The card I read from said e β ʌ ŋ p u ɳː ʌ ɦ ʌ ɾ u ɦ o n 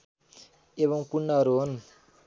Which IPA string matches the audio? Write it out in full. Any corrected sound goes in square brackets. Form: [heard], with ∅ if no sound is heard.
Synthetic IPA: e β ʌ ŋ p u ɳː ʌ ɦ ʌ ɾ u ɦ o n